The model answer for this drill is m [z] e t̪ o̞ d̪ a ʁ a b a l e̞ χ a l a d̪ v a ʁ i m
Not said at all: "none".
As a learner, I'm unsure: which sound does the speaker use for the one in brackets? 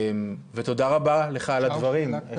v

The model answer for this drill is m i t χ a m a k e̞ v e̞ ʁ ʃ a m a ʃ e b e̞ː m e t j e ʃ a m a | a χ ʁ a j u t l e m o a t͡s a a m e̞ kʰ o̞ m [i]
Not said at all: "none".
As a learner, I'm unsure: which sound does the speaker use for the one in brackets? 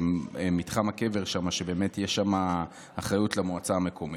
i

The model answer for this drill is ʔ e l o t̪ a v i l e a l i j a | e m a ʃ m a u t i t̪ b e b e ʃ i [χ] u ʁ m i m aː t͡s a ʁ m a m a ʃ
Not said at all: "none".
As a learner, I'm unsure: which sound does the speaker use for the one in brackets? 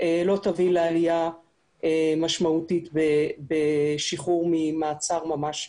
χ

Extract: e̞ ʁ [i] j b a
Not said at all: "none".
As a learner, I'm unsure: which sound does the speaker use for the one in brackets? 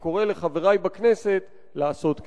a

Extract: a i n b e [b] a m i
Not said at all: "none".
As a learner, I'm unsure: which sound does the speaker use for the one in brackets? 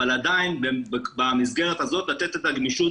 b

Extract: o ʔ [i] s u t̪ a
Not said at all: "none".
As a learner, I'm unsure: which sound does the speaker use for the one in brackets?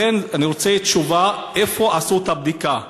a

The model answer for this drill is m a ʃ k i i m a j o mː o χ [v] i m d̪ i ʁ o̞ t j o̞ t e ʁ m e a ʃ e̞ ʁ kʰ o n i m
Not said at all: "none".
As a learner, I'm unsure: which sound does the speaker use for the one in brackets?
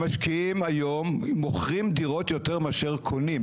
ʁ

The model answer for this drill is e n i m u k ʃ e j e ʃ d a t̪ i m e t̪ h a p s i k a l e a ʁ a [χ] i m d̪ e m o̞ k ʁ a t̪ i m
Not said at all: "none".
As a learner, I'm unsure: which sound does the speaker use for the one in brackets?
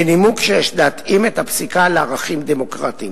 χ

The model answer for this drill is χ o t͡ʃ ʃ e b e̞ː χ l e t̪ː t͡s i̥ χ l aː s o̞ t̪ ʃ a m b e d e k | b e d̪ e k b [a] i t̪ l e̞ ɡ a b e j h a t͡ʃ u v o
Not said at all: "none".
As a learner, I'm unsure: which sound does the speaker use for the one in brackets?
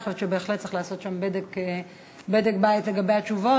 a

